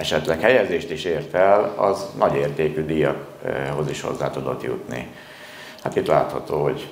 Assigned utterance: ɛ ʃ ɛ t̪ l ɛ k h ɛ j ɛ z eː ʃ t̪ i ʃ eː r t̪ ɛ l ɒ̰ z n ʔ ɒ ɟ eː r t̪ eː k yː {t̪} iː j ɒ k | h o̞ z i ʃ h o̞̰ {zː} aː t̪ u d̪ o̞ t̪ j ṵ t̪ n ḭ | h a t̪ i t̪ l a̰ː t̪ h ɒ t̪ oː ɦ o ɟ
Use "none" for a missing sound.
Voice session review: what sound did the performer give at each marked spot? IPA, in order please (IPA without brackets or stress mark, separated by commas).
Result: d̪, zː